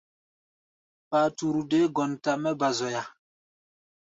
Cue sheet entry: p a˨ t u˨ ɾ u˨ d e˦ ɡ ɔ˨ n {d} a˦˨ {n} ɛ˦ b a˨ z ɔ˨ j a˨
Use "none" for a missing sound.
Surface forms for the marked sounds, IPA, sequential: t, m

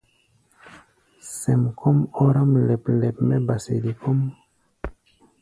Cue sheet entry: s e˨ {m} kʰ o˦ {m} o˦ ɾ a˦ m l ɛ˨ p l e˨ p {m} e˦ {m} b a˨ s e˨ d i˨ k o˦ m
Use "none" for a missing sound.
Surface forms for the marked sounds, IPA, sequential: m, m, m, none

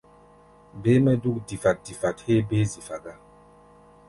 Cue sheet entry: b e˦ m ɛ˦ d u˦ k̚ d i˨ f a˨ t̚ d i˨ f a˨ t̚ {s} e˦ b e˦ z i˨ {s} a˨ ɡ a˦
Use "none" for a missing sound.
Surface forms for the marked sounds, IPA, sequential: h, f

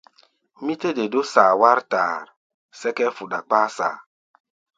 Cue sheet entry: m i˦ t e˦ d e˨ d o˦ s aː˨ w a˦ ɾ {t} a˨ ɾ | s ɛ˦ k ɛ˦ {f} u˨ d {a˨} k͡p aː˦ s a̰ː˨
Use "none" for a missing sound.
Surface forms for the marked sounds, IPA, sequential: t, f, a˨

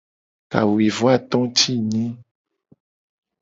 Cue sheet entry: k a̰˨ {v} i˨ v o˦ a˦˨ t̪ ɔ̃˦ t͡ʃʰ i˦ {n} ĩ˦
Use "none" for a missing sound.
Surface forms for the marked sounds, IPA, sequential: w, ɲ

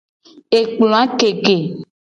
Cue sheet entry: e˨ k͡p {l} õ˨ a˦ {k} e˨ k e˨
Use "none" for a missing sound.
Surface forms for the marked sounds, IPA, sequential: l, k

